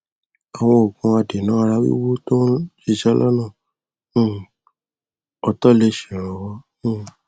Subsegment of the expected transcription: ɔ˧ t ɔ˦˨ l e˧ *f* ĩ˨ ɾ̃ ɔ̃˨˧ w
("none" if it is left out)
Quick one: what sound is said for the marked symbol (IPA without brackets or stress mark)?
ʃ